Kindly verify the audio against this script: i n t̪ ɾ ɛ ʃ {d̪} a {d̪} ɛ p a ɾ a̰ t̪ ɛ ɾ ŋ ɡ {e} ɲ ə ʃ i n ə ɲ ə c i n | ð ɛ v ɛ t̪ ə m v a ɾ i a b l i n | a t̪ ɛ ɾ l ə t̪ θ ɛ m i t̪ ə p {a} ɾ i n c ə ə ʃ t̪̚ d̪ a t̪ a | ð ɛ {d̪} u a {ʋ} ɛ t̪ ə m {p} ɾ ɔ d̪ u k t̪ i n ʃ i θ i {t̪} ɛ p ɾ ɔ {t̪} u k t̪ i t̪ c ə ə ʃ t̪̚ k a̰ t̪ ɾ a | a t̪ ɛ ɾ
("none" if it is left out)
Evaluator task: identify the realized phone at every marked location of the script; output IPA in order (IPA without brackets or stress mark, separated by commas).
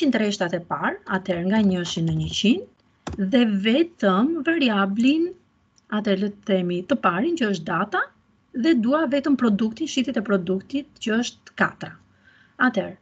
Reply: t̪, t̪, a, a, d̪, v, p, t̪, d̪